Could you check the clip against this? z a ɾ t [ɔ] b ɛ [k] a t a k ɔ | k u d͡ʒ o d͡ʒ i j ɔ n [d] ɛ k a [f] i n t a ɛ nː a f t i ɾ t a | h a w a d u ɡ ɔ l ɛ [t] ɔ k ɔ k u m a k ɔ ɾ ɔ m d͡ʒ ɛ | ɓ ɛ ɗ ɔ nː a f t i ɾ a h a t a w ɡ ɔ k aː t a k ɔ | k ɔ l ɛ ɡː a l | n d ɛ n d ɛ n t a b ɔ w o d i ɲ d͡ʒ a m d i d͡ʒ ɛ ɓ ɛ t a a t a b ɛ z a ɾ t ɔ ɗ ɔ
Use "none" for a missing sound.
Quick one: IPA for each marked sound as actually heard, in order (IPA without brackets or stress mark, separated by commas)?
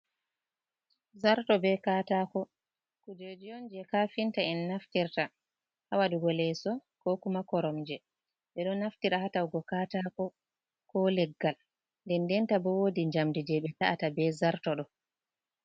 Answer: ɔ, k, d͡ʒ, f, s